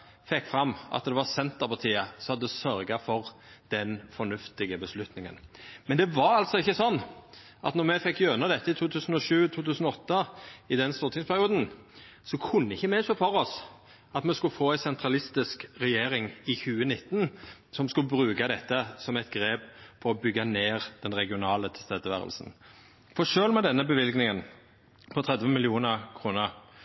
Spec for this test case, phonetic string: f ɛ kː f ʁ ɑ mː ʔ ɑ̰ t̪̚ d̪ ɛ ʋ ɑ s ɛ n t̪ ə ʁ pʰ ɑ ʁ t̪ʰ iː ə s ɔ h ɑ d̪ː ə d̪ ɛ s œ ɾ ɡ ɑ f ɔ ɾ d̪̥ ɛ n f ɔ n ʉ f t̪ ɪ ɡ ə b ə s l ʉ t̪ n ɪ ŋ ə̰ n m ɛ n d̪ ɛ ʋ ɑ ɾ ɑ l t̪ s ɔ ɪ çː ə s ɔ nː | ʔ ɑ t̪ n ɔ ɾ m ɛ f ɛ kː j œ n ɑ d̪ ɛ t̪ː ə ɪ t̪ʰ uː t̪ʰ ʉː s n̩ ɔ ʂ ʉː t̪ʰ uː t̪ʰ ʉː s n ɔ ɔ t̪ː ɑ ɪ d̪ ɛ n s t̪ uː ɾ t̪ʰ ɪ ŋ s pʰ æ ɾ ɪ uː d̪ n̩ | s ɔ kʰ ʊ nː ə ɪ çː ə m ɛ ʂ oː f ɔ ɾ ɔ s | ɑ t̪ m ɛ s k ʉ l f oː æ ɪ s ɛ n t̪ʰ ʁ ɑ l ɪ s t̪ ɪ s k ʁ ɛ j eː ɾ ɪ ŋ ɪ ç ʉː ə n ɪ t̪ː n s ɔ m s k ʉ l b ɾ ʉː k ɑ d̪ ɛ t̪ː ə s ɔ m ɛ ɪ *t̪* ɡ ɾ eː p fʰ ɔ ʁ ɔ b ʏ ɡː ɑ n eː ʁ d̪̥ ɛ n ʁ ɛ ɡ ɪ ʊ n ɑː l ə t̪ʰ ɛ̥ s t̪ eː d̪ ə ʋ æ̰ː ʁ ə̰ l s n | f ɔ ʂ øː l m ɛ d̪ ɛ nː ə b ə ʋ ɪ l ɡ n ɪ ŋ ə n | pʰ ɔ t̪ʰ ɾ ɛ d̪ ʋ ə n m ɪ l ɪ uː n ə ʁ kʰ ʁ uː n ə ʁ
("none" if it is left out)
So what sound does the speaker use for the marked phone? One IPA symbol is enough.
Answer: t̪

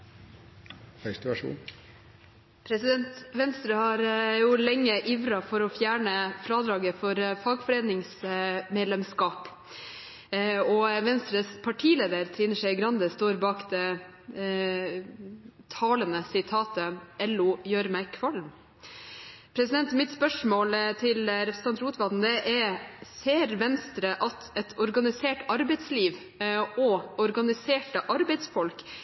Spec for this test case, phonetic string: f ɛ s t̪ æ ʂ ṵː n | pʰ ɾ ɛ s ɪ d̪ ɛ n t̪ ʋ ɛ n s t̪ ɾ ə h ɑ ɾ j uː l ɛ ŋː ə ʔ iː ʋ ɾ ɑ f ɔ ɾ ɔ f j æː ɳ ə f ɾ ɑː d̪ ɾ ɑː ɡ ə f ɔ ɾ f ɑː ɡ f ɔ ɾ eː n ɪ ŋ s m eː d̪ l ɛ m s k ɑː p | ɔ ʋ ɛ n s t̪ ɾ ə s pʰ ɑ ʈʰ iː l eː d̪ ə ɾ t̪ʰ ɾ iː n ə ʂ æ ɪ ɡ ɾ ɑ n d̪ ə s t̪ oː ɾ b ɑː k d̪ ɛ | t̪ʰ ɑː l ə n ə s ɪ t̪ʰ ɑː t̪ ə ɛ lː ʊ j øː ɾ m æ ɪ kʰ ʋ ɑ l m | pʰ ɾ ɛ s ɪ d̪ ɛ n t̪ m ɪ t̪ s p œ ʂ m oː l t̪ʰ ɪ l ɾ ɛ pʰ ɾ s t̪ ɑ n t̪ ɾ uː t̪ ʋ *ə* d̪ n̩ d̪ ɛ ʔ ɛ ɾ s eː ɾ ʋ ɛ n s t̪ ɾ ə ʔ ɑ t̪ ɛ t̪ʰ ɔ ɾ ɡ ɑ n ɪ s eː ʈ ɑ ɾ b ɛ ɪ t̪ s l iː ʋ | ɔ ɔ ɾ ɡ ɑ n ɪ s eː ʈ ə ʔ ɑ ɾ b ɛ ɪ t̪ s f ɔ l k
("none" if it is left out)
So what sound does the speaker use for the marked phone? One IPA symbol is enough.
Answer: ɑ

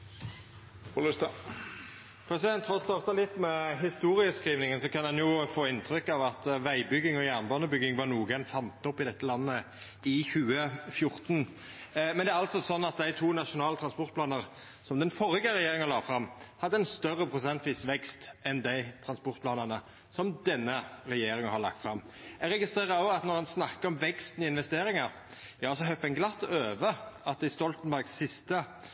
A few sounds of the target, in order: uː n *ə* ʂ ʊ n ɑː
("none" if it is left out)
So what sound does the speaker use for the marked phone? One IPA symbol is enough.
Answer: ɑ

